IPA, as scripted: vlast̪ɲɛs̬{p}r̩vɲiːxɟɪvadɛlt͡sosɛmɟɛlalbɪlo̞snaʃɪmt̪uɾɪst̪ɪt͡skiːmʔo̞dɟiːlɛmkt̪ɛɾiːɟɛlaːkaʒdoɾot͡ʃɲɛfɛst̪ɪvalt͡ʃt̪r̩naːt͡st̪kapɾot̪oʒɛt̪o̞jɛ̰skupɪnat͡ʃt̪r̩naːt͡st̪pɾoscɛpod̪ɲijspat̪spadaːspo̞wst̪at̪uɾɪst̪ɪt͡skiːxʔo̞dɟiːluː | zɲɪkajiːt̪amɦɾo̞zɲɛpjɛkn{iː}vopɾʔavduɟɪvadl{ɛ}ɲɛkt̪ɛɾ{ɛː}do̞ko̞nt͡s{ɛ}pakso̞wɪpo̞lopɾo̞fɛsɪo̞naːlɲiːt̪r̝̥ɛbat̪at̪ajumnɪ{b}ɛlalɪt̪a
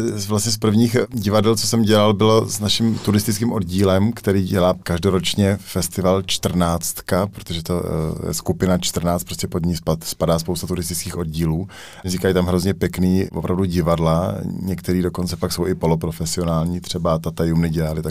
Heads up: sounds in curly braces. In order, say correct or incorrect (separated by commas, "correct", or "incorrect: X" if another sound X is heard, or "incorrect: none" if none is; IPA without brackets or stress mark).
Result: correct, correct, incorrect: a, incorrect: iː, correct, incorrect: ɟ